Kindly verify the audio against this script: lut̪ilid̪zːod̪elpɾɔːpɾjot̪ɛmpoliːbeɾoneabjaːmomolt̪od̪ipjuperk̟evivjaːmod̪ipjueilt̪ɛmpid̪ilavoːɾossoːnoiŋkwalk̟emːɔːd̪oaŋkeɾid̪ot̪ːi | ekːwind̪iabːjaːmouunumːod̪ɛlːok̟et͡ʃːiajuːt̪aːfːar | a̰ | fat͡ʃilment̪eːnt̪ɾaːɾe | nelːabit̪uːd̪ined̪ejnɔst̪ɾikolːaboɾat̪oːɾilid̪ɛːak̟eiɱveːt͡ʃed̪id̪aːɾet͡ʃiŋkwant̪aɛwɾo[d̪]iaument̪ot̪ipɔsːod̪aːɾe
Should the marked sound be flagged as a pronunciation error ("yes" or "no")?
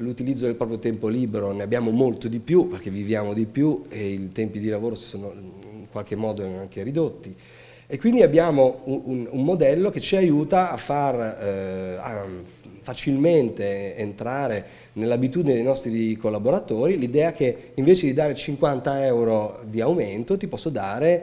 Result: no